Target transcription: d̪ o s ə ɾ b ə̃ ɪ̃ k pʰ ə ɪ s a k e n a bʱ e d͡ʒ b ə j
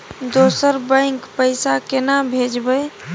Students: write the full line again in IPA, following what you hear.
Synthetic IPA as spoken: d̪ o s ə ɾ b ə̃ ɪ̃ k p ə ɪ s a k e n a bʱ e d͡ʒ b ə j

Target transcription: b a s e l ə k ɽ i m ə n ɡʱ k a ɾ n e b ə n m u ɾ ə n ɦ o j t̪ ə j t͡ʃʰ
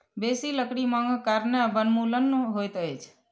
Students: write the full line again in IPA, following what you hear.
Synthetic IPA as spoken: b e s i l ə k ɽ i m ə ŋ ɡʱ k a ɾ n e b ə n m u l ə n ɦ o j t̪ ə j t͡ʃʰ

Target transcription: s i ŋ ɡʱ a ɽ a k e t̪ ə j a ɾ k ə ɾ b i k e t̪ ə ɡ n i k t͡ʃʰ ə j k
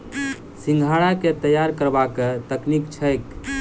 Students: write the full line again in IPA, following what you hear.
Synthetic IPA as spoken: s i ŋ ɡʱ a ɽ a k e t̪ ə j a ɾ k ə ɾ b a k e t̪ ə k n i k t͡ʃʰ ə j k

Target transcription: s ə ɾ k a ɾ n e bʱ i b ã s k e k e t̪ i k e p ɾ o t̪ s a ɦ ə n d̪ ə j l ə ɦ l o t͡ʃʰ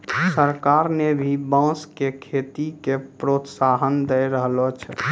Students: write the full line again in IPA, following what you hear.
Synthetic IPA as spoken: s ə ɾ k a ɾ n e bʱ i b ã s k e kʰ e t̪ i k e p ɾ o t̪ s a ɦ ə n d̪ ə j ɾ ə ɦ l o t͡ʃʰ

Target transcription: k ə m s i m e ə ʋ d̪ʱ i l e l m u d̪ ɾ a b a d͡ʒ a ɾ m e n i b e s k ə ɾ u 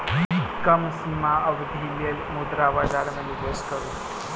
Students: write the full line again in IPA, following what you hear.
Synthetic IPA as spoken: k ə m s i m a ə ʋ d̪ʱ i l e l m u d̪ ɾ a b a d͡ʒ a ɾ m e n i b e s k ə ɾ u

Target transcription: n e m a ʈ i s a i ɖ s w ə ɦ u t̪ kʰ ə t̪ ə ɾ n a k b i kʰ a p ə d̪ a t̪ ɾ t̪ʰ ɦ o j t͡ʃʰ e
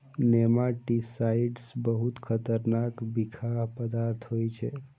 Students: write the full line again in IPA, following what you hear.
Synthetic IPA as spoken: n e m a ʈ i s a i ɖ s b ə ɦ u t̪ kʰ ə t̪ ə ɾ n a k b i kʰ a p ə d̪ a ɾ t̪ʰ ɦ o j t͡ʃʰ e

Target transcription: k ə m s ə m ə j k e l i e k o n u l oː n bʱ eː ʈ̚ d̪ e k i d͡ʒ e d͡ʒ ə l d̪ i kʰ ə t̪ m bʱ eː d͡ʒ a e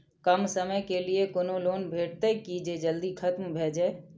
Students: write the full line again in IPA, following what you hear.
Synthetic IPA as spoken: k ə m s ə m ə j k e l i e k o n o l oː n bʱ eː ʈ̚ t̪ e k i d͡ʒ e d͡ʒ ə l d̪ i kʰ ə t̪ m bʱ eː d͡ʒ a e

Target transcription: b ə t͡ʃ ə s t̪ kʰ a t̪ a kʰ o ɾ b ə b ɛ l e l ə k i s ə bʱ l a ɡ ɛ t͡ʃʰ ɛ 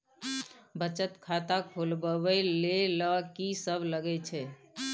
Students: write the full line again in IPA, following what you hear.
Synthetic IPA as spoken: b ə t͡ʃ ə t̪ kʰ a t̪ a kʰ o l b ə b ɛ l e l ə k i s ə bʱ l ə ɡ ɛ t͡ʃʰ ɛ

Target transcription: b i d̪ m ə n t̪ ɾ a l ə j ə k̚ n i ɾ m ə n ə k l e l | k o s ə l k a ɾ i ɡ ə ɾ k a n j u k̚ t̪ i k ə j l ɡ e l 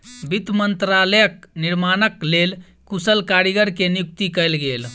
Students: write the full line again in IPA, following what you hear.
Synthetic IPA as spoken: b i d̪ m ə n t̪ ɾ a l ə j ə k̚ n i ɾ m a n ə k l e l | k u s ə l k a ɾ i ɡ ə ɾ k e n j u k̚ t̪ i k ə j l ɡ e l

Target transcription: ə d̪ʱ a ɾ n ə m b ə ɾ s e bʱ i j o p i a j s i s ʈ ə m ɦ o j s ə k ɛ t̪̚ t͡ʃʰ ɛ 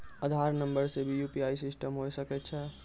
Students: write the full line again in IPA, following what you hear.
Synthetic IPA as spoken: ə d̪ʱ a ɾ n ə m b ə ɾ s e bʱ i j u p i a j s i s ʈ ə m ɦ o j s ə k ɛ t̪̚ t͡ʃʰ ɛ

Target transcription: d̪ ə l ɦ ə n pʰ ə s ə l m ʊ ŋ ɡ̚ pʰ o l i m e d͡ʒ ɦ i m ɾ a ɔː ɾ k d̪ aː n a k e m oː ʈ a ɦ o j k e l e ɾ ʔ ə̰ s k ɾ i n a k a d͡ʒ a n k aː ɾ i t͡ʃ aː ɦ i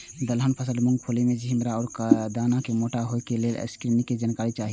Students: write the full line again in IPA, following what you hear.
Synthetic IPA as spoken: d̪ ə l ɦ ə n pʰ ə s ə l m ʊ ŋ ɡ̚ pʰ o l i m e d͡ʒ ɦ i m ɾ a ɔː ɾ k d̪ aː n a k e m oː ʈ a ɦ o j k e l e l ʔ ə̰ s k ɾ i n i k e d͡ʒ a n k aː ɾ i t͡ʃ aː ɦ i

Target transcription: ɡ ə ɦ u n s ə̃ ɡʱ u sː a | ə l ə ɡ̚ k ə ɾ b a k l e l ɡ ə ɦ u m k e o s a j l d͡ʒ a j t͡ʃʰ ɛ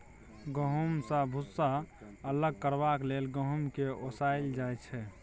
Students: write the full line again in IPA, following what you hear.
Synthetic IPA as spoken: ɡ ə ɦ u m s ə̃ bʱ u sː a | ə l ə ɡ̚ k ə ɾ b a k l e l ɡ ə ɦ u m k e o s a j l d͡ʒ a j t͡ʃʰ ɛ

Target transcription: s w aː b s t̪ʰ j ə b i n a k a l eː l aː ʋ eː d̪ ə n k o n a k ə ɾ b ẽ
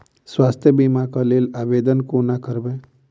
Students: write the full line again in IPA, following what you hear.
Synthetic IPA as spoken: s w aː s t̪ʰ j ə b i m a k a l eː l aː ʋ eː d̪ ə n k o n a k ə ɾ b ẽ

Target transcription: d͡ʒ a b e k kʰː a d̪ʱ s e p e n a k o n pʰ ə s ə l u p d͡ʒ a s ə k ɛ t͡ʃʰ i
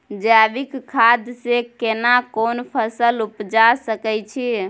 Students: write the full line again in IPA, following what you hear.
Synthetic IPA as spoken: d͡ʒ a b i k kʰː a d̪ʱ s e k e n a k o n pʰ ə s ə l u p d͡ʒ a s ə k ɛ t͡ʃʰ i

